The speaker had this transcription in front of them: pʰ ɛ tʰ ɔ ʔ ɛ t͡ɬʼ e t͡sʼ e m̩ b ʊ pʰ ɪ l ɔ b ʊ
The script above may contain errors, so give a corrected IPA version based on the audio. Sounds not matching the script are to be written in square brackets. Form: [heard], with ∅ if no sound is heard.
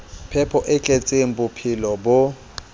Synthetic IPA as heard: pʰ ɛ [pʰ] ɔ ʔ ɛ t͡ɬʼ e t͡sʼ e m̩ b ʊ pʰ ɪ l ɔ b ʊ